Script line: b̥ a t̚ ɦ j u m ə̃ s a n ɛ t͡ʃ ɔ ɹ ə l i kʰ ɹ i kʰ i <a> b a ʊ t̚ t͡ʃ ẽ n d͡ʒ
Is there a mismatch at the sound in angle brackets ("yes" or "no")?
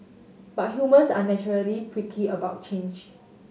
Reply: yes